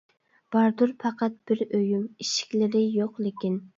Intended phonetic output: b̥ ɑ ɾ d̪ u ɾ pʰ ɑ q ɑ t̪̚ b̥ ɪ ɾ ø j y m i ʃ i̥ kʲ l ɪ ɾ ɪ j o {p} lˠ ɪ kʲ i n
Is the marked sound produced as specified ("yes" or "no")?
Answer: no